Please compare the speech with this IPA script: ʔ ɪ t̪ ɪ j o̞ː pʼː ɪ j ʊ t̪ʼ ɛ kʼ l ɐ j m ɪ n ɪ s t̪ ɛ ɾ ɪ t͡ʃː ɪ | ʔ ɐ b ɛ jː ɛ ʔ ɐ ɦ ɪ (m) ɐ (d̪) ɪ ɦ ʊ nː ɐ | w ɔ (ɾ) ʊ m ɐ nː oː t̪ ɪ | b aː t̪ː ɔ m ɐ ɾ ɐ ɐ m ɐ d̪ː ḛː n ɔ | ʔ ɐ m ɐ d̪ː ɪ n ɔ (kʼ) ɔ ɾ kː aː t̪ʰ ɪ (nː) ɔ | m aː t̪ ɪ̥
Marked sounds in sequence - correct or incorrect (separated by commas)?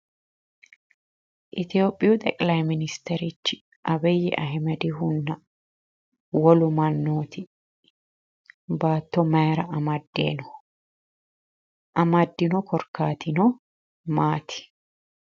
correct, correct, incorrect, incorrect, incorrect